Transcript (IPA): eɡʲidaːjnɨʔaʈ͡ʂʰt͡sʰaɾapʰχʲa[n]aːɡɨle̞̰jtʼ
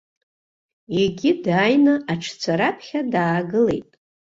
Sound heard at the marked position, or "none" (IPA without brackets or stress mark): d